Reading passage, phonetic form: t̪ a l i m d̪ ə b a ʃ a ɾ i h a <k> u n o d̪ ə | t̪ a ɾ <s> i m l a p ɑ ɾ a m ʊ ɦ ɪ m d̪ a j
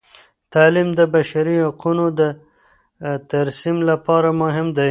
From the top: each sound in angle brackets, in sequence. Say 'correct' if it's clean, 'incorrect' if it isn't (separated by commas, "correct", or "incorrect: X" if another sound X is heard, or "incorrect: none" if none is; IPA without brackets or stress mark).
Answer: incorrect: q, correct